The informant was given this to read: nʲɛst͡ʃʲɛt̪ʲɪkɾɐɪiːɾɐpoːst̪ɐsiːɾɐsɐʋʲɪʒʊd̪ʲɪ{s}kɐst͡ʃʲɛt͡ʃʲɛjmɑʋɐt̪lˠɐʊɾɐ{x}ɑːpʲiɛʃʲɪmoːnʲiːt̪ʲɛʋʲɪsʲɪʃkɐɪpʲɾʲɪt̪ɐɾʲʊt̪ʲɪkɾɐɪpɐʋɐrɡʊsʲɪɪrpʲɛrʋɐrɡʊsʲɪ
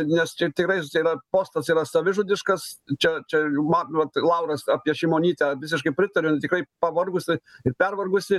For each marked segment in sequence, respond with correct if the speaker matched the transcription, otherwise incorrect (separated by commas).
incorrect, incorrect